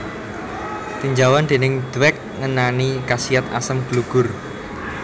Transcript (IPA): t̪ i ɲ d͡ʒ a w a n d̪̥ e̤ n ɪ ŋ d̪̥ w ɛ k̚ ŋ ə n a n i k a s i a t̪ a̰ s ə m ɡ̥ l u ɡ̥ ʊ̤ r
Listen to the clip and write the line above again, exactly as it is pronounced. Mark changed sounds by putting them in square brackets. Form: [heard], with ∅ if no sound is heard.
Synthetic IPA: t̪ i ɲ d͡ʒ a w a n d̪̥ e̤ n ɪ ŋ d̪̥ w ɛ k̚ ŋ ə n a n i k a s i a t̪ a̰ s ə m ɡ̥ l u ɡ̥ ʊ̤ r